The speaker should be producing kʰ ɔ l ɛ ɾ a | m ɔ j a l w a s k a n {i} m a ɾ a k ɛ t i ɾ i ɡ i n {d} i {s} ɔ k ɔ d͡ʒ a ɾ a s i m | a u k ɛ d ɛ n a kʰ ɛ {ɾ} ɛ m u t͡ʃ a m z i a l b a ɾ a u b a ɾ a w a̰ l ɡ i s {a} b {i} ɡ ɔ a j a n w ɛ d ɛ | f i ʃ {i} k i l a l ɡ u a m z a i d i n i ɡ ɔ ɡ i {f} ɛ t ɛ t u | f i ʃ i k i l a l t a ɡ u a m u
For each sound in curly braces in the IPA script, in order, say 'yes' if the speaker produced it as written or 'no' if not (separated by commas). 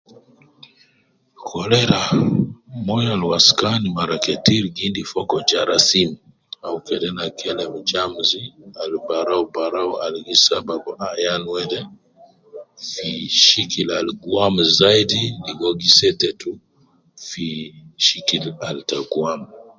yes, yes, no, no, yes, no, yes, no